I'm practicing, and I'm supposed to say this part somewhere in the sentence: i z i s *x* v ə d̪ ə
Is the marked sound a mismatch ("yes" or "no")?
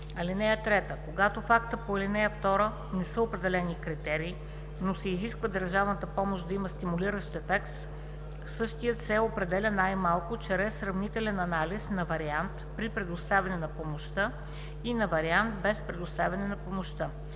yes